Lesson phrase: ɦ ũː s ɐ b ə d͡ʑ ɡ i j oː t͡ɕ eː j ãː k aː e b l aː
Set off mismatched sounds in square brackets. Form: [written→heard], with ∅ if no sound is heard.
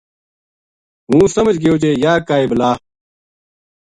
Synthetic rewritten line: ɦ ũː s ɐ [b→m] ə d͡ʑ ɡ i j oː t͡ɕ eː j [ãː→aː] k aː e b l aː